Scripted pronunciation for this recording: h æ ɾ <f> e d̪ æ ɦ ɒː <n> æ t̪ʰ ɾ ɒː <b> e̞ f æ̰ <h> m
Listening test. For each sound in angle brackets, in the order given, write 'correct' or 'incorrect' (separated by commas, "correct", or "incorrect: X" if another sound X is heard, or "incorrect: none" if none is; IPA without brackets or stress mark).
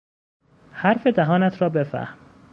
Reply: correct, correct, correct, correct